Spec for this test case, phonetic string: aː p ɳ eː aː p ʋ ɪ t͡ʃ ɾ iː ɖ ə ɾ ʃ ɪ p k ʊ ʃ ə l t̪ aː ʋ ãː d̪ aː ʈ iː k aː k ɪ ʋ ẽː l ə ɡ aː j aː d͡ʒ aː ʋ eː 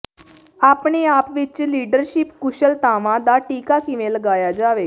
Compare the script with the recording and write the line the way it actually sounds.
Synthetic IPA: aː p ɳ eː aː p ʋ ɪ t͡ʃ l iː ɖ ə ɾ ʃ ɪ p k ʊ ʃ ə l t̪ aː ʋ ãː d̪ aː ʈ iː k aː k ɪ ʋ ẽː l ə ɡ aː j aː d͡ʒ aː ʋ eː